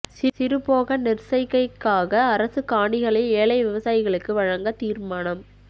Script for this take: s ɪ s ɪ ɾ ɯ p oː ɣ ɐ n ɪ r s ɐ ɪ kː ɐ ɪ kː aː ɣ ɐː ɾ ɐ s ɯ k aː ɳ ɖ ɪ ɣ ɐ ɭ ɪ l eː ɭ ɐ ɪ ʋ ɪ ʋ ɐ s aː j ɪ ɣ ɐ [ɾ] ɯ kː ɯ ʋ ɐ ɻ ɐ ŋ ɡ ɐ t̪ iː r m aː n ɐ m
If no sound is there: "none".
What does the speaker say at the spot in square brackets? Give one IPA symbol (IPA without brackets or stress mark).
ɭ